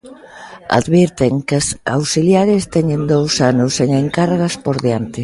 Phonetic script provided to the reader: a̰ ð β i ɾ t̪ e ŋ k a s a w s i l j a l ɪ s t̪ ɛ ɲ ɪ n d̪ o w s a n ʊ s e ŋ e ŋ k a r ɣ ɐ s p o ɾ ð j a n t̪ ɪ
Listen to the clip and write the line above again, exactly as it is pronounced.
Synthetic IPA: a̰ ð β i ɾ t̪ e ŋ k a s a w s i l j a ɾ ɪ s t̪ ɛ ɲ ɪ n d̪ o w s a n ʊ s e ŋ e ŋ k a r ɣ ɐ s p o ɾ ð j a n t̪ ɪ